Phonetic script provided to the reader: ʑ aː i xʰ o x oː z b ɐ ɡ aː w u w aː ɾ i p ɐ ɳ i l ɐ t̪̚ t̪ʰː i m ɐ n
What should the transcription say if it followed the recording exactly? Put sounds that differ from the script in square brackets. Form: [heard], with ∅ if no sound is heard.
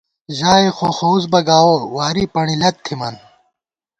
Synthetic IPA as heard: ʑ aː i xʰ o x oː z b ɐ ɡ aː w [o] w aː ɾ i p ɐ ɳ i l ɐ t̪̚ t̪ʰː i m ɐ n

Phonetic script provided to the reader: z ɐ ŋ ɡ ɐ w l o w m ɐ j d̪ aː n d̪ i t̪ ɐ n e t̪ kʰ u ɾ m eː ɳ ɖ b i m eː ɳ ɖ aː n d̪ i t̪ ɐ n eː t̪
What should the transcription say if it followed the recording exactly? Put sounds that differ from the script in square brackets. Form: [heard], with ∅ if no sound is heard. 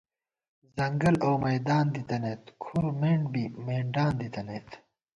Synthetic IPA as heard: z ɐ ŋ ɡ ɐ [∅] l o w m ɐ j d̪ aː n d̪ i t̪ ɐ n e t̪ kʰ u ɾ m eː ɳ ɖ b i m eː ɳ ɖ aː n d̪ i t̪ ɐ n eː t̪

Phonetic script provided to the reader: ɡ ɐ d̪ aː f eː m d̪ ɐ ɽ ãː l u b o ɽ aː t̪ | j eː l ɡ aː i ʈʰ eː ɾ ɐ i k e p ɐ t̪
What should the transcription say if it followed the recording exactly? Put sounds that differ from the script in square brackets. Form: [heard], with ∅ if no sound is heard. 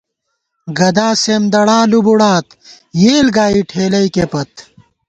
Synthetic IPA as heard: ɡ ɐ d̪ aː [s] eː m d̪ ɐ ɽ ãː l u b [u] ɽ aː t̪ | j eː l ɡ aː i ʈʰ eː [l] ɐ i k e p ɐ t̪

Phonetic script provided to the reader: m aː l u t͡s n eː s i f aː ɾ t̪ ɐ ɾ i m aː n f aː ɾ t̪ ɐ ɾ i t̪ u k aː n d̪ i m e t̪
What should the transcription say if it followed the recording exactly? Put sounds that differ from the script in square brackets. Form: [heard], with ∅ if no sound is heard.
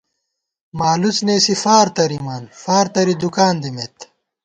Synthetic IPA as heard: m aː l u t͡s n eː s i f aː ɾ t̪ ɐ ɾ i m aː n f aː ɾ t̪ ɐ ɾ i [d̪] u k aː n d̪ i m e t̪

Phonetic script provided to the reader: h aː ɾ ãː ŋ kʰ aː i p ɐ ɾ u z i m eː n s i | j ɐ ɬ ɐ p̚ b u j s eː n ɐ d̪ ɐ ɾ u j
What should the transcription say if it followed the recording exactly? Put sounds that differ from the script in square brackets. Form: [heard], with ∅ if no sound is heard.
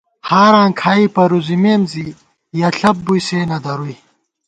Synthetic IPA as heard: h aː ɾ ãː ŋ kʰ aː i p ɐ ɾ u z i m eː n [z] i | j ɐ ɬ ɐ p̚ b u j s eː n ɐ d̪ ɐ ɾ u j

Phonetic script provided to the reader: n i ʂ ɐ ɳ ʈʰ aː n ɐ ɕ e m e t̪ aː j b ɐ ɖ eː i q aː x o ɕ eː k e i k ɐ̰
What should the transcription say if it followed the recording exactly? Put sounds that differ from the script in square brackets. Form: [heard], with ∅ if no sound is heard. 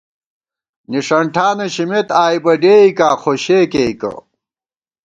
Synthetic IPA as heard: n i ʂ ɐ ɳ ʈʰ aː n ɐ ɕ [i] m e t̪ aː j b ɐ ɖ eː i [k] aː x o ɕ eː k e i k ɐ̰

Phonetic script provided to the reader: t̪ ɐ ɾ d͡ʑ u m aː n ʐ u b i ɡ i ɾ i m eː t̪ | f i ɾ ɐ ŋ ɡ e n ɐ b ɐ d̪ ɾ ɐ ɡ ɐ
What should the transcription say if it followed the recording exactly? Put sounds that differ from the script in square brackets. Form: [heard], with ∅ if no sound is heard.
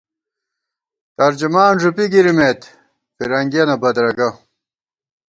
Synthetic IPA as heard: t̪ ɐ ɾ d͡ʑ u m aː n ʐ u [p] i ɡ i ɾ i m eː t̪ | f i ɾ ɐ ŋ ɡ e n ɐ b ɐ d̪ ɾ ɐ ɡ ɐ

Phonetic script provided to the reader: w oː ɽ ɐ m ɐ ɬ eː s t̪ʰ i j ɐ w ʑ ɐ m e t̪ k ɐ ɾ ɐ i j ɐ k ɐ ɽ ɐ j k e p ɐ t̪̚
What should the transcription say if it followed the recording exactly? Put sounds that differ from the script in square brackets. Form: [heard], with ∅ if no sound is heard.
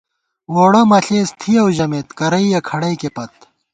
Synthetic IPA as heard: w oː ɽ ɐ m ɐ ɬ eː s t̪ʰ i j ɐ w ʑ ɐ m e t̪ k ɐ ɾ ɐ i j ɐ [kʰ] ɐ ɽ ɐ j k e p ɐ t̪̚

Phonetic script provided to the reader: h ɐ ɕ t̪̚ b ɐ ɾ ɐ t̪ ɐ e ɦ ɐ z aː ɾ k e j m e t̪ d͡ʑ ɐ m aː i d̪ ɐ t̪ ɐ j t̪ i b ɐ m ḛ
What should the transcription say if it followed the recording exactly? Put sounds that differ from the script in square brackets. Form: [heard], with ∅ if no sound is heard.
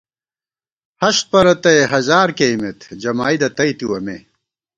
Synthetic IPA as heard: h ɐ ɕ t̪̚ [p] ɐ ɾ ɐ t̪ ɐ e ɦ ɐ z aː ɾ k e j m e t̪ d͡ʑ ɐ m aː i d̪ ɐ t̪ ɐ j t̪ i [w] ɐ m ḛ

